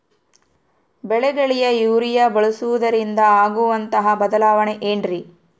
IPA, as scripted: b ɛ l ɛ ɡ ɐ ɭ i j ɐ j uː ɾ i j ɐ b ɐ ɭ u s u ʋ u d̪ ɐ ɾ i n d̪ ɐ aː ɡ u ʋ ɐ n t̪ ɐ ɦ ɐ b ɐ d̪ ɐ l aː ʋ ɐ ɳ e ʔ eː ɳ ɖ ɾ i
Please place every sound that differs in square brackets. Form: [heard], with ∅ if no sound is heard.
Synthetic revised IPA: b ɛ [ɭ] ɛ ɡ ɐ ɭ i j ɐ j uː ɾ i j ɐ b ɐ ɭ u s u ʋ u d̪ ɐ ɾ i n d̪ ɐ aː ɡ u ʋ ɐ n t̪ ɐ ɦ ɐ b ɐ d̪ ɐ l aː ʋ ɐ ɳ e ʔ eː ɳ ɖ ɾ i